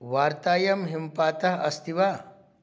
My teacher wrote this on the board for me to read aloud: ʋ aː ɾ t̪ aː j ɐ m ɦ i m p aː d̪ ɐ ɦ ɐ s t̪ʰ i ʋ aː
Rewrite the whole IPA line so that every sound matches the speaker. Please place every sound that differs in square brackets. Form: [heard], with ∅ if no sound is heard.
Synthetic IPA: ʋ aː ɾ t̪ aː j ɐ m ɦ i m p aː [t̪] ɐ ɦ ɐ s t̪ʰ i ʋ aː

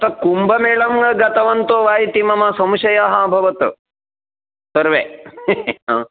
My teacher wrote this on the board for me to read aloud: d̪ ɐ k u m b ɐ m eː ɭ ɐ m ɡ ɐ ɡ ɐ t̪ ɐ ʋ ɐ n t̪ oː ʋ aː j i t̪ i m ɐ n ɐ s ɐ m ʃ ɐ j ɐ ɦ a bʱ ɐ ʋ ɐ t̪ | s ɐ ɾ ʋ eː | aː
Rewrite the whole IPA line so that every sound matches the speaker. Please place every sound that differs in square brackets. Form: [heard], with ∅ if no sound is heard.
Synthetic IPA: [t̪] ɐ k u m b ɐ m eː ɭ ɐ m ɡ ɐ ɡ ɐ t̪ ɐ ʋ ɐ n t̪ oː ʋ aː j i t̪ i m ɐ [m] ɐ s ɐ m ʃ ɐ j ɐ ɦ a bʱ ɐ ʋ ɐ t̪ | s ɐ ɾ ʋ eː | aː

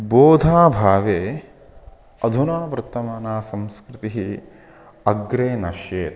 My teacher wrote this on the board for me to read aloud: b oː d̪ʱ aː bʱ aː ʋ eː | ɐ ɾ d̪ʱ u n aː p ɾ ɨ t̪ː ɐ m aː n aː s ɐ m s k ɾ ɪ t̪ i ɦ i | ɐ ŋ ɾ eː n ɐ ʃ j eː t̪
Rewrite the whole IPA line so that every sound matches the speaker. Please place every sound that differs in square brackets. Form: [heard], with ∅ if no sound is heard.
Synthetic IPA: b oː d̪ʱ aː bʱ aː ʋ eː | ɐ [∅] d̪ʱ u n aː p ɾ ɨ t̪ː ɐ m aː n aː s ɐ m s k ɾ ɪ t̪ i ɦ i | ɐ [ɡ] ɾ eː n ɐ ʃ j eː t̪

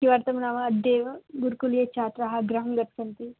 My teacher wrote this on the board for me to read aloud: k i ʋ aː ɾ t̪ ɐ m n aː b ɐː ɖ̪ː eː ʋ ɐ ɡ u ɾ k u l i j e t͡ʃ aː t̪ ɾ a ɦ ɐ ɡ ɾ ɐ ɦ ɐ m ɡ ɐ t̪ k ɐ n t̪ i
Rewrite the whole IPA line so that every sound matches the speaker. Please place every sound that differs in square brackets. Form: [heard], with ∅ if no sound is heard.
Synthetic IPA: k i ʋ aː ɾ t̪ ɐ m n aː [m] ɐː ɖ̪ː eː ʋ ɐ ɡ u ɾ k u l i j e t͡ʃ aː t̪ ɾ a ɦ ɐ ɡ ɾ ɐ ɦ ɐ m ɡ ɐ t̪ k ɐ n t̪ i

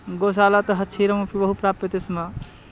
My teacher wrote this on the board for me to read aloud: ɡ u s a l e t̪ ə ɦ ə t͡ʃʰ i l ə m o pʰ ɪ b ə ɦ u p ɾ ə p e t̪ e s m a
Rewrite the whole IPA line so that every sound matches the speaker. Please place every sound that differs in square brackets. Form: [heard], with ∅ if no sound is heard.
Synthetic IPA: ɡ [o] s a l [a] t̪ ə ɦ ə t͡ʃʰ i [ɾ] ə m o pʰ [i] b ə ɦ u p ɾ [a] p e t̪ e s m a

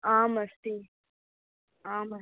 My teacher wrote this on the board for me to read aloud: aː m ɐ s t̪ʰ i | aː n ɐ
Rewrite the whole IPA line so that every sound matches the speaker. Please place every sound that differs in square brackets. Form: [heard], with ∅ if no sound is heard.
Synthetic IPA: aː m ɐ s [t̪] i | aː [m] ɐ

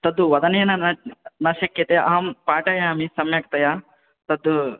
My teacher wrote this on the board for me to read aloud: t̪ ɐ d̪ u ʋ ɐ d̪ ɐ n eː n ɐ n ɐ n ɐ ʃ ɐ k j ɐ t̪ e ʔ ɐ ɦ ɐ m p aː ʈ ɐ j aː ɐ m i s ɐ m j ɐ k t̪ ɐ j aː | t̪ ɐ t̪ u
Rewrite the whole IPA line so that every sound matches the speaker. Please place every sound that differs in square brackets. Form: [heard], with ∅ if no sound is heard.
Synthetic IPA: t̪ ɐ d̪ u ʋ ɐ d̪ ɐ n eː n ɐ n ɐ n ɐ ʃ ɐ k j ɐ t̪ e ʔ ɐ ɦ ɐ m p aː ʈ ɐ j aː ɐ m i s ɐ m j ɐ k t̪ ɐ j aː | t̪ ɐ [d̪] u

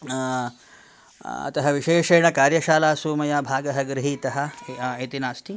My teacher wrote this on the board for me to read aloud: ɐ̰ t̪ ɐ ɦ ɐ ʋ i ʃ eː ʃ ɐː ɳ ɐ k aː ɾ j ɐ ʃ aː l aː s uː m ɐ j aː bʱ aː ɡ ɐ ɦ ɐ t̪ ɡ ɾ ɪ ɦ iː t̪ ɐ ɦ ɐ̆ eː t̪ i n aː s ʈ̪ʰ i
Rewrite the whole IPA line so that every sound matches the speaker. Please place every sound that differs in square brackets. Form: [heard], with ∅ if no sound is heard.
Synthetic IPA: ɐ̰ t̪ ɐ ɦ ɐ ʋ i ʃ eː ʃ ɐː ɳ ɐ k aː ɾ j ɐ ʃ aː l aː s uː m ɐ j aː bʱ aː ɡ ɐ ɦ ɐ [∅] ɡ ɾ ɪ ɦ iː t̪ ɐ ɦ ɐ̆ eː t̪ i n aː s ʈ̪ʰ i

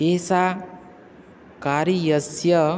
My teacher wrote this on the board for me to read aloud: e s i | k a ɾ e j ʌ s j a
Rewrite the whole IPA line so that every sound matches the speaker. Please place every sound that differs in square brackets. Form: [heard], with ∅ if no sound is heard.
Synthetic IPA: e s [a] | k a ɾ [i] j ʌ s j [ʌ]

